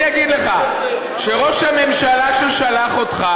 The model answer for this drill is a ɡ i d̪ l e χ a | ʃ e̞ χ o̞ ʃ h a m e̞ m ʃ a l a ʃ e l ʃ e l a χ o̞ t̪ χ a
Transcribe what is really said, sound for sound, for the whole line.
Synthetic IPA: a ɡ i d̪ l e χ a | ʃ e̞ ʁ o̞ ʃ h a m e̞ m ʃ a l a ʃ e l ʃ a l a χ o̞ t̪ χ a